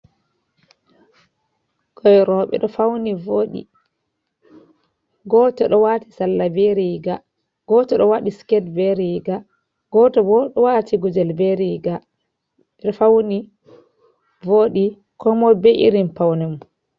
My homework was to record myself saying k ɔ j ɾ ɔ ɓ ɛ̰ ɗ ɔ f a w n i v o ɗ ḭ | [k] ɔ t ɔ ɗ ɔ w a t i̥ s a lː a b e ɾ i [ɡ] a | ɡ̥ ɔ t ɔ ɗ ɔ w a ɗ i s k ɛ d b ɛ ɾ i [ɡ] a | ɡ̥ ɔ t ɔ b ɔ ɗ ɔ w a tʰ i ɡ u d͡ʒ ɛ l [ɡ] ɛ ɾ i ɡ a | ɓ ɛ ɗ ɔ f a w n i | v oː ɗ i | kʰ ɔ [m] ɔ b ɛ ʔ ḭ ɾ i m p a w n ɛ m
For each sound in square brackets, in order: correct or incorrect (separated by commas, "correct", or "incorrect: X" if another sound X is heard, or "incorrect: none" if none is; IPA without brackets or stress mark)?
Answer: incorrect: ɡ, correct, correct, incorrect: b, correct